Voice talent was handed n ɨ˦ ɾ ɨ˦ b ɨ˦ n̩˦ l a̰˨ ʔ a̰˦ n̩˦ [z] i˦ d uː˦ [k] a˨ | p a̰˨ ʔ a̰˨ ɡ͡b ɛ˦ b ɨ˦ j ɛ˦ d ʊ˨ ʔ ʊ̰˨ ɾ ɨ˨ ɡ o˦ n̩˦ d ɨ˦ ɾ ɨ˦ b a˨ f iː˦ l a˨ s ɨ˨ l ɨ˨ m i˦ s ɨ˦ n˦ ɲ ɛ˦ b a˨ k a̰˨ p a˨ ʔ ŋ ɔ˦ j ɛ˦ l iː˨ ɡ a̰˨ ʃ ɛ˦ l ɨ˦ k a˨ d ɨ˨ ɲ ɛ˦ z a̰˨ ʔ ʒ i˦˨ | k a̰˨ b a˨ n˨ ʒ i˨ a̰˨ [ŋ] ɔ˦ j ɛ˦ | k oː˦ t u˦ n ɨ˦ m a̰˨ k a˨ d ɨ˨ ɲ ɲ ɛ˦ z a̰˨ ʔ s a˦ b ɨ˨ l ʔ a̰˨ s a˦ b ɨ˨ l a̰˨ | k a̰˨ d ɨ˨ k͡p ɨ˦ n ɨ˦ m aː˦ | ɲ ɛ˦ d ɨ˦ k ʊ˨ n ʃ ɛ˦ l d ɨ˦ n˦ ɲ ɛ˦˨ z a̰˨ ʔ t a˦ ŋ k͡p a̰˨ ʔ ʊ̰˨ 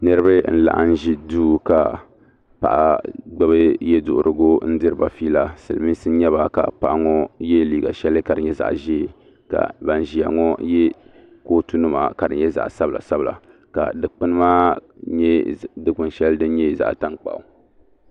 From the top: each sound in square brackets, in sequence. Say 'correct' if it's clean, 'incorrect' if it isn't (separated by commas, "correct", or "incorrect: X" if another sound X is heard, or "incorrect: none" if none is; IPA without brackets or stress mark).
incorrect: ʒ, correct, correct